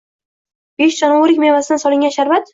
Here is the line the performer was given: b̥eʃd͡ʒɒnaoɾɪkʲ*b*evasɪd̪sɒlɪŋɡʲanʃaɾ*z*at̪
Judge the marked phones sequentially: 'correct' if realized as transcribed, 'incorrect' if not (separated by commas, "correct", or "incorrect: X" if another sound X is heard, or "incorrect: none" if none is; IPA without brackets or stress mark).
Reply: incorrect: m, incorrect: v